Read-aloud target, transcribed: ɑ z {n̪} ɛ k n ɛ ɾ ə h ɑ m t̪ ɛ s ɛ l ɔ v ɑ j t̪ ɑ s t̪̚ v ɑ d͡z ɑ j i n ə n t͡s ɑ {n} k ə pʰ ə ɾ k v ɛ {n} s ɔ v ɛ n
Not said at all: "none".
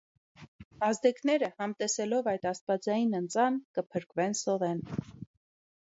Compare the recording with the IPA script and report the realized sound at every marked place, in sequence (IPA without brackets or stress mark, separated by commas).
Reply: d̪, n, n